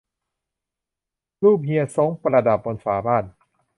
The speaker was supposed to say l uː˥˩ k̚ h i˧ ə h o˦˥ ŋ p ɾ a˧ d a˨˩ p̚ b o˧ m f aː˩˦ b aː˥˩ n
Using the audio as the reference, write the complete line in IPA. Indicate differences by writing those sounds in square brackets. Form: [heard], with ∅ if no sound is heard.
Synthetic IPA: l uː˥˩ [p̚] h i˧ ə [s] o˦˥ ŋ p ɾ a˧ d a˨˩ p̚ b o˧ [n] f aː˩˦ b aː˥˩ n